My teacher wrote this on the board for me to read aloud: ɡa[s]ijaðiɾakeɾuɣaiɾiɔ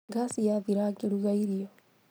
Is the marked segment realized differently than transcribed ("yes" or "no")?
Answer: no